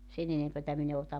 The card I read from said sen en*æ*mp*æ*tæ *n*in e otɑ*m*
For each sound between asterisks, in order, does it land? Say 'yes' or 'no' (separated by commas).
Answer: no, yes, no, yes